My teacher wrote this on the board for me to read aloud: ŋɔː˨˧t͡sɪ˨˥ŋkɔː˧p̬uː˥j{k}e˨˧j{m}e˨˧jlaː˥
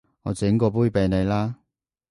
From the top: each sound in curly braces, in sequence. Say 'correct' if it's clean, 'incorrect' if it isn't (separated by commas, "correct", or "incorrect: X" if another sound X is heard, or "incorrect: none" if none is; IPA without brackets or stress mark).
incorrect: p, incorrect: n